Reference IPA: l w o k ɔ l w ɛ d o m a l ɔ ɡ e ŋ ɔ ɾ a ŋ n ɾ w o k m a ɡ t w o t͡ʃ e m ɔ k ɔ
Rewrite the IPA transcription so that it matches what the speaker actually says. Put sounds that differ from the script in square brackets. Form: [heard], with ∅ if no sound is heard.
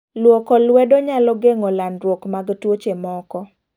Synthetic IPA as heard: l w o k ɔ l w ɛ d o [ɲ] a l ɔ ɡ e ŋ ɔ [l] a [∅] n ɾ w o k m a ɡ t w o t͡ʃ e m ɔ k ɔ

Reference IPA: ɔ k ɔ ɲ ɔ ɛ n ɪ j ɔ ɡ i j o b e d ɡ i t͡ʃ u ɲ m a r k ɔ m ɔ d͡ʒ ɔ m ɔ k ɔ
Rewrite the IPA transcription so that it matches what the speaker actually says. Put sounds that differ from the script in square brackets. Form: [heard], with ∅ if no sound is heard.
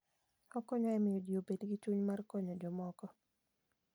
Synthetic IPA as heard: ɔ k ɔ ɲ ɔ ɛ [m] ɪ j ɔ [d] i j o b e d ɡ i t͡ʃ u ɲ m a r k ɔ [ɲ] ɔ d͡ʒ ɔ m ɔ k ɔ

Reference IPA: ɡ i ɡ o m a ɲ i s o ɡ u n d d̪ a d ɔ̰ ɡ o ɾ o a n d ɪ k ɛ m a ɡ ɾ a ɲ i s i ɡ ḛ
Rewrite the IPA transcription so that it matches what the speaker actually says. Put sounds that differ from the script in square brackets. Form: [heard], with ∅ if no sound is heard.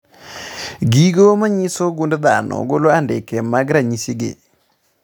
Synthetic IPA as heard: ɡ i ɡ o m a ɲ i s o ɡ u n d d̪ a [n] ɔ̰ ɡ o [l] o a n d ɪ k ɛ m a ɡ ɾ a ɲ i s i ɡ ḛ

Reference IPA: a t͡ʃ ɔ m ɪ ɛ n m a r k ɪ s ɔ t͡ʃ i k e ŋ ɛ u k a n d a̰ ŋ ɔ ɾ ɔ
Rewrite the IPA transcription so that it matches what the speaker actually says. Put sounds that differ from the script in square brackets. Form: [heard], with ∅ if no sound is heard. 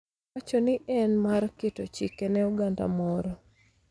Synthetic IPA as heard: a t͡ʃ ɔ [n] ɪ ɛ n m a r k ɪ [t] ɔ t͡ʃ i k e [n] ɛ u [ɡ] a n d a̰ [m] ɔ ɾ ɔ

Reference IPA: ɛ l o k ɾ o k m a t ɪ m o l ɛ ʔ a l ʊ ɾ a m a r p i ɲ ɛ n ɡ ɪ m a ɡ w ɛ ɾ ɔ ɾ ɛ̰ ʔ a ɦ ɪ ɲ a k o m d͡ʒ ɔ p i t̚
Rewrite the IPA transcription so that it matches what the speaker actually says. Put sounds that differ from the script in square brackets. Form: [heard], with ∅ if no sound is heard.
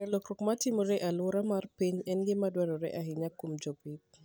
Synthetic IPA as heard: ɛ l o k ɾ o k m a t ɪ m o [ɾ] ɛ ʔ a l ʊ ɾ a m a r p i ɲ ɛ n ɡ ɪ m a [d] w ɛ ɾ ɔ ɾ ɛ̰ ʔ a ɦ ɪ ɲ a k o m d͡ʒ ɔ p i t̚

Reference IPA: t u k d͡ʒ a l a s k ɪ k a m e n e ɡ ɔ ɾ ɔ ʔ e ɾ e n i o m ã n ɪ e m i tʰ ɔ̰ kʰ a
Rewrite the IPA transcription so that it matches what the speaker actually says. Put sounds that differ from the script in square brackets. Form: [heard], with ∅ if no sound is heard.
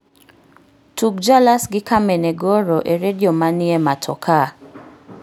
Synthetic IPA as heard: t u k d͡ʒ a l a s [ɡ] ɪ k a m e n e ɡ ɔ ɾ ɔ ʔ e ɾ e [d] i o m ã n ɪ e m [a] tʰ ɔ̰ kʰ a

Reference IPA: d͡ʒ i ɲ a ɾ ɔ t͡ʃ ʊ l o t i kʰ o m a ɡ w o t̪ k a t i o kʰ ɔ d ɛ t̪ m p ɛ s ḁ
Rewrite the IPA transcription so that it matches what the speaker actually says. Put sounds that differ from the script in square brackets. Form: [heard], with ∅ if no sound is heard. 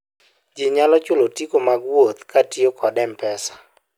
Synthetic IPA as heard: d͡ʒ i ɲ a [l] ɔ t͡ʃ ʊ l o t i [k] o m a ɡ w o t̪ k a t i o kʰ ɔ d ɛ [∅] m p ɛ s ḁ

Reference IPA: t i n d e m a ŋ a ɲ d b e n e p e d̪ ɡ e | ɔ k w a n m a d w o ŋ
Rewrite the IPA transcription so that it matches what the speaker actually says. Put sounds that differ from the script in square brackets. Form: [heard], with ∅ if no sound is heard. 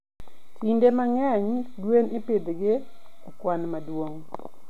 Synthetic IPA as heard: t i n d e m a ŋ [ɛ] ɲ d [w] e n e p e d̪ ɡ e | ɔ k w a n m a d w o ŋ

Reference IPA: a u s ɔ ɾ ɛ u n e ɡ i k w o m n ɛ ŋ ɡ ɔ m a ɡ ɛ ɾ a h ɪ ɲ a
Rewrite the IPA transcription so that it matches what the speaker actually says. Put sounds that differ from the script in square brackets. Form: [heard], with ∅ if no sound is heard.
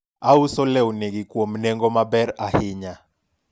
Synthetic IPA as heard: a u s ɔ [l] ɛ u n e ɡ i k w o m n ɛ ŋ ɡ ɔ m a [b] ɛ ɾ a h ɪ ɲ a

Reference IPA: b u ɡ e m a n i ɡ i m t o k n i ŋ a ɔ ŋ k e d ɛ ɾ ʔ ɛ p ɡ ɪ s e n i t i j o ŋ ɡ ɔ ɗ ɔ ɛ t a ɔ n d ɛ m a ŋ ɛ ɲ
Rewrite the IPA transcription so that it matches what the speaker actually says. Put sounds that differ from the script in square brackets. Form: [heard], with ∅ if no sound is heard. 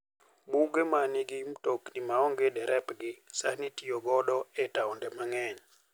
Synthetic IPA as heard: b u ɡ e m a n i ɡ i m t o k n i [m] a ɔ ŋ [ɡ] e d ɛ ɾ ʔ ɛ p ɡ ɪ s [a] n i t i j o [∅] ɡ ɔ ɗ ɔ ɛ t a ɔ n d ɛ m a ŋ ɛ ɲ

